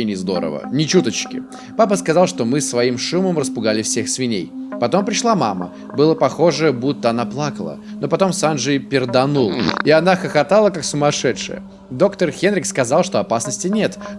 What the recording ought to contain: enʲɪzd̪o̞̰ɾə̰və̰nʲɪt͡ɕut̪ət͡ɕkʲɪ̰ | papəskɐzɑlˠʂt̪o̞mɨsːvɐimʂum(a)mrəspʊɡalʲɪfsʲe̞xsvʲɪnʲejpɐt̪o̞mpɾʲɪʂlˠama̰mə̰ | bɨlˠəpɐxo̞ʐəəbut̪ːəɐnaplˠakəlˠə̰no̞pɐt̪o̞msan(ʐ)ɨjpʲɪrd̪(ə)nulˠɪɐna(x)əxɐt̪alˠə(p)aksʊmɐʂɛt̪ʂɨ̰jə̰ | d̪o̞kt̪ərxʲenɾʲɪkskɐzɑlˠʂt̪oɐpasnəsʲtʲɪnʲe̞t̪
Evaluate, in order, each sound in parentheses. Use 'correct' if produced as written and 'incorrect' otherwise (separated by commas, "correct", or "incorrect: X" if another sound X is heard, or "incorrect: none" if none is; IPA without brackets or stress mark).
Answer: incorrect: ə, correct, incorrect: ɐ, correct, incorrect: k